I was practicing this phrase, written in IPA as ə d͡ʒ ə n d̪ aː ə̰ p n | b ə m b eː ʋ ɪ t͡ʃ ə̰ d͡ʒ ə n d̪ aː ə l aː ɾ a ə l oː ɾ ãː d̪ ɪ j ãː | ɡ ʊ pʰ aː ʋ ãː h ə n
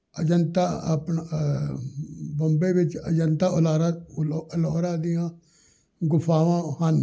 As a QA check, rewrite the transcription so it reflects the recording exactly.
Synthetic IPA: ə d͡ʒ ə n t̪ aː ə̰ p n | b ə m b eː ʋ ɪ t͡ʃ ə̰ d͡ʒ ə n t̪ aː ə l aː ɾ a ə l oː ɾ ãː d̪ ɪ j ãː | ɡ ʊ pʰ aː ʋ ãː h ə n

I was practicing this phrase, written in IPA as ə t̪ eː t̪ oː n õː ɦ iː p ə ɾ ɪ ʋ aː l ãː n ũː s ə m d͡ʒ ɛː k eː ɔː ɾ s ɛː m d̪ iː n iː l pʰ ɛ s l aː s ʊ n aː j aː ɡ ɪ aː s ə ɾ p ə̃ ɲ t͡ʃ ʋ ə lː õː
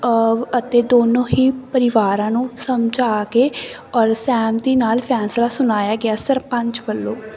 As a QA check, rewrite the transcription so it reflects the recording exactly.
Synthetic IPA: ə t̪ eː d̪ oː n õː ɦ iː p ə ɾ ɪ ʋ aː ɾ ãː n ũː s ə m d͡ʒ aː k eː ɔː ɾ s ɛː m d̪ iː n aː l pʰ ɛː s l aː s ʊ n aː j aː ɡ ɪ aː s ə ɾ p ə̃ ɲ t͡ʃ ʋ ə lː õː

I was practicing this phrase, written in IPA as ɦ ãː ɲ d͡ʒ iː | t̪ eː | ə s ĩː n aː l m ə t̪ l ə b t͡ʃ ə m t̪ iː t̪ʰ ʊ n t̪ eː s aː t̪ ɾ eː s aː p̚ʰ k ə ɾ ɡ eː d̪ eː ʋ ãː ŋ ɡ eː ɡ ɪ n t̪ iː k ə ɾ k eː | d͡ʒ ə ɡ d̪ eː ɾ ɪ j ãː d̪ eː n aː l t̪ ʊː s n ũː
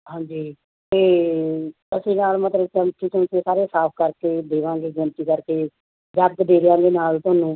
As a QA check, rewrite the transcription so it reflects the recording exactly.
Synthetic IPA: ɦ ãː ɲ d͡ʒ iː | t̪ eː | ə s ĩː n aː l m ə t̪ l ə b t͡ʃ ə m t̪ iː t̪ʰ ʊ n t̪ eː s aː ɾ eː s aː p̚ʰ k ə ɾ k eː d̪ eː ʋ ãː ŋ ɡ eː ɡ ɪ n t̪ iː k ə ɾ k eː | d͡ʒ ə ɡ d̪ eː ɾ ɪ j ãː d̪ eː n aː l t̪ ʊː n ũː

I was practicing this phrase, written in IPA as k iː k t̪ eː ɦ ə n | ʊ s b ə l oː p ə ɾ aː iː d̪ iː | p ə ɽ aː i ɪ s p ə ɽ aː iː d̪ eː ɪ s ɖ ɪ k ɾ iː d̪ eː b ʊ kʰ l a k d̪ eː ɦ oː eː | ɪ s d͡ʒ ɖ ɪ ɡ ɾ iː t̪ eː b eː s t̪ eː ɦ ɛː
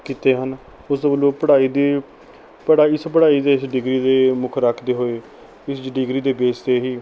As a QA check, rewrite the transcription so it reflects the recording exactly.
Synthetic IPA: k iː t̪ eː ɦ ə n | ʊ s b ə l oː p ə ɽ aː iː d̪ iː | p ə ɽ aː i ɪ s p ə ɽ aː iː d̪ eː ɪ s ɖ ɪ ɡ ɾ iː d̪ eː m ʊ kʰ ɾ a kʰ d̪ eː ɦ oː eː | ɪ s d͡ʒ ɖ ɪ ɡ ɾ iː d̪ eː b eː s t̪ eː ɦ iː

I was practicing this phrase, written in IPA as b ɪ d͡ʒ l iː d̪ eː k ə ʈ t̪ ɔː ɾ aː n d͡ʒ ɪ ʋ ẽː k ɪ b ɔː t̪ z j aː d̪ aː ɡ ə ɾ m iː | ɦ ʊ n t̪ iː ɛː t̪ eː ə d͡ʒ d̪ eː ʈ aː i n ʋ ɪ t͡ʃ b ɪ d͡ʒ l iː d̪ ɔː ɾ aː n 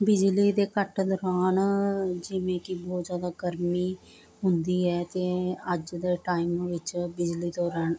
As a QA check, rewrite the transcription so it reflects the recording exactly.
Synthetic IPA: b ɪ d͡ʒ l iː d̪ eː k ə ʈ d̪ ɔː ɾ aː n d͡ʒ ɪ ʋ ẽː k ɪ b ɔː t̪ z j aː d̪ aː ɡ ə ɾ m iː | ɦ ʊ n d̪ iː ɛː t̪ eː ə d͡ʒ d̪ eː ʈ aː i m ʋ ɪ t͡ʃ b ɪ d͡ʒ l iː d̪ ɔː ɾ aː n

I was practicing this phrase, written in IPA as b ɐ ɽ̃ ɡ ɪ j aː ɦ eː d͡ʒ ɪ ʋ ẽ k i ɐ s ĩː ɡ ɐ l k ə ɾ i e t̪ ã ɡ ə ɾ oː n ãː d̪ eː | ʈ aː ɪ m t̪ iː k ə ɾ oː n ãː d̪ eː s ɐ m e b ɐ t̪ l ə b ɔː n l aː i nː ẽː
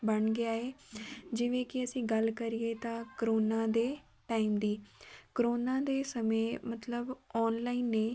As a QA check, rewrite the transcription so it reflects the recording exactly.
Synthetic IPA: b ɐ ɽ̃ ɡ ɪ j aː ɦ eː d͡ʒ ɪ ʋ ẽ k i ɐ s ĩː ɡ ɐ l k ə ɾ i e t̪ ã k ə ɾ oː n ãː d̪ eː | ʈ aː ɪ m d̪ iː k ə ɾ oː n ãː d̪ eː s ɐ m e m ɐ t̪ l ə b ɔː n l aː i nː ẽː

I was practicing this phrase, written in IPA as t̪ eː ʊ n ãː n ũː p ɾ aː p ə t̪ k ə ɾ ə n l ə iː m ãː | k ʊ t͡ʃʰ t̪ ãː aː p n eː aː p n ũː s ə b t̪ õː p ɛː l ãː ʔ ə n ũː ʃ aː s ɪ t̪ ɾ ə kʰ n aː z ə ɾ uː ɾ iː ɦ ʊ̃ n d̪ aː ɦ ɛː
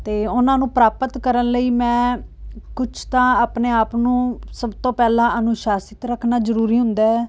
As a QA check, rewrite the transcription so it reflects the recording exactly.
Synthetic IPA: t̪ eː ʊ n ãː n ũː p ɾ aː p ə t̪ k ə ɾ ə n l ə iː m ɛ̃ː | k ʊ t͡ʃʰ t̪ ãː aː p n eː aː p n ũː s ə b t̪ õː p ɛː l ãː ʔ ə n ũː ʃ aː s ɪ t̪ ɾ ə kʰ n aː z ə ɾ uː ɾ iː ɦ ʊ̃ n d̪ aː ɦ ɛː

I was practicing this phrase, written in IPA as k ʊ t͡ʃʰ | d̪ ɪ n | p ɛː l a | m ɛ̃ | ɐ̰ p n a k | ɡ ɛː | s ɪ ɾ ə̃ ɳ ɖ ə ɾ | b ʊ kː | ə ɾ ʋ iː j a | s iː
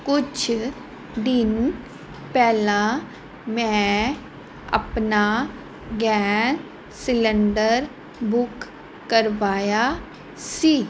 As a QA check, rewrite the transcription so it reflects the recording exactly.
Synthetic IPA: k ʊ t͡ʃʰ | d̪ ɪ n | p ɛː l a | m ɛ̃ | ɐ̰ p n a | ɡ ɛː | s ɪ l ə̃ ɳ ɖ ə ɾ | b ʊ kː | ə ɾ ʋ aː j a | s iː

